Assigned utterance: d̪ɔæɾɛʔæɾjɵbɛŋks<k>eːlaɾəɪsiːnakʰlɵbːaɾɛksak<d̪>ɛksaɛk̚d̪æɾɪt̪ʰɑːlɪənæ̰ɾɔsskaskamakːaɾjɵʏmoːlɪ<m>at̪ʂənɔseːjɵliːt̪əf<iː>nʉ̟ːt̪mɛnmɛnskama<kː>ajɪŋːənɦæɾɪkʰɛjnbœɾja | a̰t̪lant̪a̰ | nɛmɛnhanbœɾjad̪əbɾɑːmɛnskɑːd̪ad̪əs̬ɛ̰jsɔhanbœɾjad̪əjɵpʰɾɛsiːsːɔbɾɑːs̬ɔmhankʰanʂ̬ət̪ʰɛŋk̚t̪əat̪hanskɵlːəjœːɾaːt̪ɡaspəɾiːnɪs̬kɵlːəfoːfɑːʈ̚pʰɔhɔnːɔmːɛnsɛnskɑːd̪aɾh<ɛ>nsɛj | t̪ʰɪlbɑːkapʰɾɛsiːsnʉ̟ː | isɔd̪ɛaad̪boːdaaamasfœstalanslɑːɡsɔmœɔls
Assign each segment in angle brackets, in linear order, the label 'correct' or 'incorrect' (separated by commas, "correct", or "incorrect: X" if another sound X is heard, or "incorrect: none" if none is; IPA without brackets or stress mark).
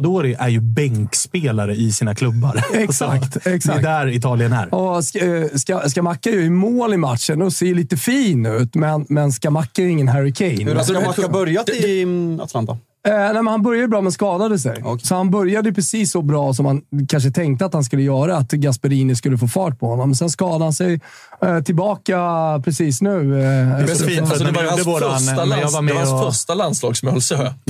incorrect: p, incorrect: t̪, correct, correct, correct, incorrect: a